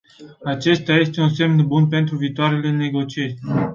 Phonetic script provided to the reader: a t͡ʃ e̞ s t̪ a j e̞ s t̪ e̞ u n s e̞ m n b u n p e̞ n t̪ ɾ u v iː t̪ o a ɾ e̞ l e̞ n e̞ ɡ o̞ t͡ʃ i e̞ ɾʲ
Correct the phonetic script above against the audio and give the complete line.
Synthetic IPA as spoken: a t͡ʃ e̞ s t̪ a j e̞ s t̪ e̞ u n s e̞ m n b u n p e̞ n t̪ ɾ u v iː t̪ o a ɾ e̞ l e̞ n e̞ ɡ o̞ t͡ʃ i e̞ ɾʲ